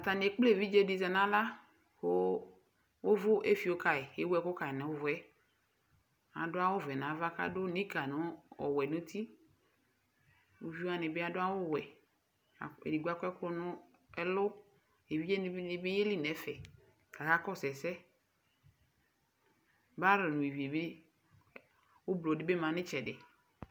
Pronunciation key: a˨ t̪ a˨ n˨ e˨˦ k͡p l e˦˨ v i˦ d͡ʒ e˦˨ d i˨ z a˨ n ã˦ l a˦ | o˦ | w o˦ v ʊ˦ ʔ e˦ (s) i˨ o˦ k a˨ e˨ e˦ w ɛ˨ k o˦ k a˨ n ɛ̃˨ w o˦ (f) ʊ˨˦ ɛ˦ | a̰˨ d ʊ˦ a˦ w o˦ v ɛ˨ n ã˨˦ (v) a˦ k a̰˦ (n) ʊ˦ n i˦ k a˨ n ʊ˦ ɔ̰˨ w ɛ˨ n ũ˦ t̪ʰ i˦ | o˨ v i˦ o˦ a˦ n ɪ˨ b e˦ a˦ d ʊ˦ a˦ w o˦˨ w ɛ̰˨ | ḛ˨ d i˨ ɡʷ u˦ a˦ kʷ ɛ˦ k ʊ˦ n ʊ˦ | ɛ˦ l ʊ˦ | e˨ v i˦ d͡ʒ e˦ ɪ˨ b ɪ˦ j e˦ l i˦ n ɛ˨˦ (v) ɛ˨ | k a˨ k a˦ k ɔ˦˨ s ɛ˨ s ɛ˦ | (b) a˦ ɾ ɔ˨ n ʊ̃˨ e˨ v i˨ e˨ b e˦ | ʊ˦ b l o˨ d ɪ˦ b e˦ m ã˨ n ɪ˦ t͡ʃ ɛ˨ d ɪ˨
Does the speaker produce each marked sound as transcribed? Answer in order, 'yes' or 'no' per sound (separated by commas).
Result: no, no, yes, no, no, yes